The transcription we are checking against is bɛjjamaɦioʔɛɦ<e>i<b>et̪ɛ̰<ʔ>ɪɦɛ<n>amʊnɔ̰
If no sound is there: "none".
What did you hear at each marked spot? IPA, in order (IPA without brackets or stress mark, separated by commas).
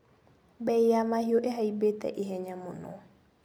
a, b, ʔ, ɲ